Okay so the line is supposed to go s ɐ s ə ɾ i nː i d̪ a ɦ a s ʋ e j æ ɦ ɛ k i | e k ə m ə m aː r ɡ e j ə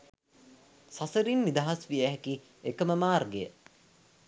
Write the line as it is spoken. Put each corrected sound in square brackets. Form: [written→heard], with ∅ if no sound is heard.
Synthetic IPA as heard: s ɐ s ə ɾ i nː i d̪ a ɦ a s ʋ [e→i] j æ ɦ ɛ k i | e k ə m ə m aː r ɡ e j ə